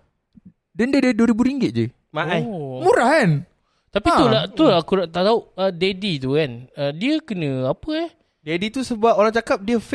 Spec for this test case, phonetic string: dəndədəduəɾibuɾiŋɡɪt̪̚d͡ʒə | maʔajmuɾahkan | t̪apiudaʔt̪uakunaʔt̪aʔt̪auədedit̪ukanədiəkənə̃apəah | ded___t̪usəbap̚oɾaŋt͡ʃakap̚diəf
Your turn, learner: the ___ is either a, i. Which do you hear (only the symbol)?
i